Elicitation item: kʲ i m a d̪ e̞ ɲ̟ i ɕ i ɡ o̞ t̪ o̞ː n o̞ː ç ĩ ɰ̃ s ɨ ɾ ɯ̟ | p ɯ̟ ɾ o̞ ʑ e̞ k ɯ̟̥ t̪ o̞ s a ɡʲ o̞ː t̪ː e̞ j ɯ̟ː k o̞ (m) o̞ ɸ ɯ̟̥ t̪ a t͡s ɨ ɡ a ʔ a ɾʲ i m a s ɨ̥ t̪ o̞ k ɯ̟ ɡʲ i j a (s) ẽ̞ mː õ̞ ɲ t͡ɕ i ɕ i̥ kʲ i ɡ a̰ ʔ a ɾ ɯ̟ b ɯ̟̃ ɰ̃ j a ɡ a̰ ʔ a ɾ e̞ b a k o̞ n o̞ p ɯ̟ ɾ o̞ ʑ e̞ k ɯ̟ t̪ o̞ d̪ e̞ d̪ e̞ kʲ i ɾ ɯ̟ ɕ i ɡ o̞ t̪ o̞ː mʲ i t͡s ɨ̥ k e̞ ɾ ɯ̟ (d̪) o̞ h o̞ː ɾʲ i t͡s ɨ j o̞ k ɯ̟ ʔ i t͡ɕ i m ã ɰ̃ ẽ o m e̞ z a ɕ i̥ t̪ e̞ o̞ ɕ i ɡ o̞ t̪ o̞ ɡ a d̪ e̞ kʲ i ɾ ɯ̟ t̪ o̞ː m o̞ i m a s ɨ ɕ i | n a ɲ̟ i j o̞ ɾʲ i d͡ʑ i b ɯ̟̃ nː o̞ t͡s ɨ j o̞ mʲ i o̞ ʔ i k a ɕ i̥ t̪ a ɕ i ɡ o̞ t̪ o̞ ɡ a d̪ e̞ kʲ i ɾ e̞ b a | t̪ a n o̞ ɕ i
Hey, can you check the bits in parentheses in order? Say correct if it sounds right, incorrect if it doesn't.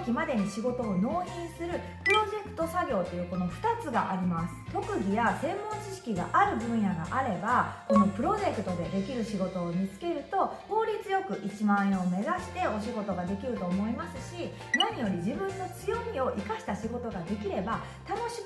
incorrect: n, correct, incorrect: t̪

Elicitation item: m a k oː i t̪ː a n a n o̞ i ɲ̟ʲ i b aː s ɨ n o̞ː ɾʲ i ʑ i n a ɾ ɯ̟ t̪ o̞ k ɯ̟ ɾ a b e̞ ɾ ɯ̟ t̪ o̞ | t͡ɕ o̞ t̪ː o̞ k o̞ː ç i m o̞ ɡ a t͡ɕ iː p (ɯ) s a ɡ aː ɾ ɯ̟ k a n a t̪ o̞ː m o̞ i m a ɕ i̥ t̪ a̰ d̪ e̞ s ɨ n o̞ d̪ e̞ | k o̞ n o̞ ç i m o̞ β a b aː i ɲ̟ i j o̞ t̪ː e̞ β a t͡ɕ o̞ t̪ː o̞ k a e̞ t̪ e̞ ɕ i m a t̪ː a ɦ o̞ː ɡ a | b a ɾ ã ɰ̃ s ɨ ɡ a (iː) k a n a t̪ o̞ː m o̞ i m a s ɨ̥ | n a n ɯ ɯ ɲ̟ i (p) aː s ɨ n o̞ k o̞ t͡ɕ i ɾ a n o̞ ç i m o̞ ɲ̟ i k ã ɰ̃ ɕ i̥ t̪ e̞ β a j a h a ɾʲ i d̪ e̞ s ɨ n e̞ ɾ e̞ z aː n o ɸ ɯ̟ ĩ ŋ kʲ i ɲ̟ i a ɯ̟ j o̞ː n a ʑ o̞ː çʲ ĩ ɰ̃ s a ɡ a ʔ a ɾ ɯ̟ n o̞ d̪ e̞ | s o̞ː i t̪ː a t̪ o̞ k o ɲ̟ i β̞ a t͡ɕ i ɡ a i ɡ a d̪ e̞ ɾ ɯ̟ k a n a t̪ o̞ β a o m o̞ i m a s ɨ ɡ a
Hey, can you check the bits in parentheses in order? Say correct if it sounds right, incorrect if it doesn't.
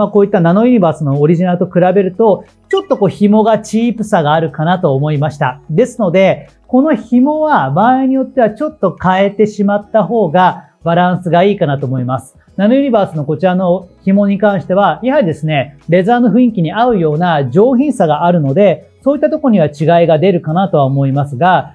correct, correct, incorrect: b

